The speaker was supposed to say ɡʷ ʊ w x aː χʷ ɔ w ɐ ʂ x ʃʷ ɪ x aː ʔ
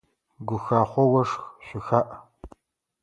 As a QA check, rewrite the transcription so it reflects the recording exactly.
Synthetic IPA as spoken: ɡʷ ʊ x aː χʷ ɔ w ɐ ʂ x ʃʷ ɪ x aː ʔ